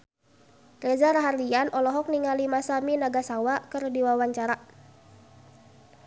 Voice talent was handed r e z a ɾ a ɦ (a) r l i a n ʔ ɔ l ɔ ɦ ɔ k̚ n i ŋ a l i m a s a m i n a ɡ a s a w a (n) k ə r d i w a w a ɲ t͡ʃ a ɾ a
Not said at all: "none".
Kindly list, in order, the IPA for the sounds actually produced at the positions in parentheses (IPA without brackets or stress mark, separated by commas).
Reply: a, none